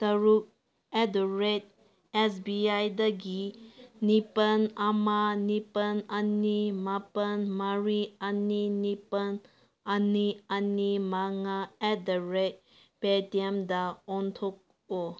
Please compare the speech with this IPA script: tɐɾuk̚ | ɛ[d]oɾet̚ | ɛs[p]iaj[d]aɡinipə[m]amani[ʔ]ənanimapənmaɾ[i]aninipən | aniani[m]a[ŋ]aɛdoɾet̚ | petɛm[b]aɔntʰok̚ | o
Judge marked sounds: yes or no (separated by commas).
yes, no, yes, no, no, yes, yes, yes, no